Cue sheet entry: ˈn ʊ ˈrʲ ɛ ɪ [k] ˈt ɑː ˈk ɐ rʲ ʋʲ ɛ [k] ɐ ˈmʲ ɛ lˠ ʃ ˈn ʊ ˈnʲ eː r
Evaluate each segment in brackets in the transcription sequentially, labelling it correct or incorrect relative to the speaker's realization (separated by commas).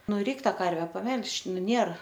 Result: correct, incorrect